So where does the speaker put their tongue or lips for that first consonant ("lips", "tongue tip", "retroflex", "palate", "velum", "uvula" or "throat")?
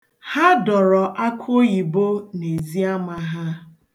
throat